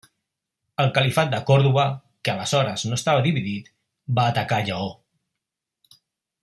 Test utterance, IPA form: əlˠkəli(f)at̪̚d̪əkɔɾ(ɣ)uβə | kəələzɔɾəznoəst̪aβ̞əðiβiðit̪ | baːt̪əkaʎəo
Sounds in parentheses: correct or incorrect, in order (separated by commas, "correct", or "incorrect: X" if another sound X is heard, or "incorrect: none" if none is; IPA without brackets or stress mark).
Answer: correct, incorrect: ð